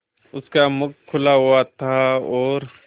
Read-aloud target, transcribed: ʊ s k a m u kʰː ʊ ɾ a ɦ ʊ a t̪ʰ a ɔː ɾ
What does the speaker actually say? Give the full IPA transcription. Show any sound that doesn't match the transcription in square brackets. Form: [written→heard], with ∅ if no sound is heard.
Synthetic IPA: ʊ s k a m [u→ʊ] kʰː ʊ [ɾ→l] a ɦ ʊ a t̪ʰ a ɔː ɾ